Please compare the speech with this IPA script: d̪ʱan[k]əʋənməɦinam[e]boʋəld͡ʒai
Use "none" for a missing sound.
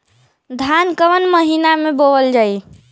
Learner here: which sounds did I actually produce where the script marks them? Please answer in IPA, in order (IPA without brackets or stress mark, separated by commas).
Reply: k, e